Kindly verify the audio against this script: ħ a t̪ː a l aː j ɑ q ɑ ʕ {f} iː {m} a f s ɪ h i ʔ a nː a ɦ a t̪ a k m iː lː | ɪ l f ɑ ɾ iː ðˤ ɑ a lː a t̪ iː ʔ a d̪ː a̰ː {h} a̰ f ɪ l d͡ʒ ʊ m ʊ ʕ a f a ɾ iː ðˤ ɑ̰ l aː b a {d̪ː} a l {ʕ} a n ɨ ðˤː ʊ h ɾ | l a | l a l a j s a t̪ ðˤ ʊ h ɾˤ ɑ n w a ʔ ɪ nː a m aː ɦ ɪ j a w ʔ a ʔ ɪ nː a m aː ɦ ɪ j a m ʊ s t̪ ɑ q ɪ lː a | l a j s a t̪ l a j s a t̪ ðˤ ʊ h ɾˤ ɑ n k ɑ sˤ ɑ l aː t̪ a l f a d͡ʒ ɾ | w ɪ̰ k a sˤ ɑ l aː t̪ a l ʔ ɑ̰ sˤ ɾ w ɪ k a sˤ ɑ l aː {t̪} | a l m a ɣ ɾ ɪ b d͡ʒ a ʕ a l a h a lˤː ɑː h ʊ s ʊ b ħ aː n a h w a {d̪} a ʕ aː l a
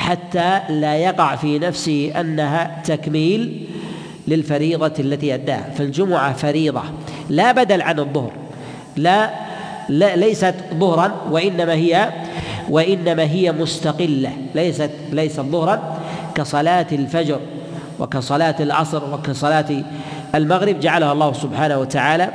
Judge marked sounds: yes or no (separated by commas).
yes, no, yes, no, yes, yes, no